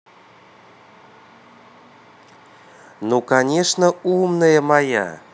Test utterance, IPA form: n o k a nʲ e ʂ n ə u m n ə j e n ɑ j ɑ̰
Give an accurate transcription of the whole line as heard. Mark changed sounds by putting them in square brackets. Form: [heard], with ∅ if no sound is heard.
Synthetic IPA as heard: n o k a nʲ e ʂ n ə u m n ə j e [m] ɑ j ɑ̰